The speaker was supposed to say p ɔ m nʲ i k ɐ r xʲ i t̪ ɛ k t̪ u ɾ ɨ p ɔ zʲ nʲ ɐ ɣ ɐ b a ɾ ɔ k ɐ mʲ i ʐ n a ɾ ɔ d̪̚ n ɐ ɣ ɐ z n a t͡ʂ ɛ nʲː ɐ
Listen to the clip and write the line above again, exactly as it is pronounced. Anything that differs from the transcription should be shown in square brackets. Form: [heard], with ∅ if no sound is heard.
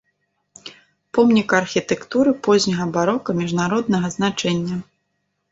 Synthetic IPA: p ɔ m nʲ i k ɐ r xʲ i t̪ ɛ k t̪ u ɾ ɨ p ɔ zʲ nʲ ɐ ɣ ɐ b a ɾ ɔ k ɐ mʲ i ʐ n a ɾ ɔ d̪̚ n ɐ ɣ ɐ z n a t͡ʂ ɛ nʲː ɐ